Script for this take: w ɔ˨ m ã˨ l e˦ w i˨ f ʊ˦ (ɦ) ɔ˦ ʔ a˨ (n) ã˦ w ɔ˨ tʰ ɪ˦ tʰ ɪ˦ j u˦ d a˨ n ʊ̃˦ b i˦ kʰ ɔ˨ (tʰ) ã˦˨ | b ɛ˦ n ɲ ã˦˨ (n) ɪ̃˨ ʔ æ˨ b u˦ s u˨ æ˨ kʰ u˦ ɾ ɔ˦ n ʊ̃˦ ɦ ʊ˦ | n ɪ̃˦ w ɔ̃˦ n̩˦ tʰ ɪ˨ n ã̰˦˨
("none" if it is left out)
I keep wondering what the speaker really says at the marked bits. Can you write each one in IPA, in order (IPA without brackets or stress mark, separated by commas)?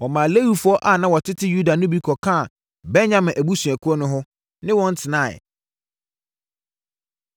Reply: none, n, kʰ, m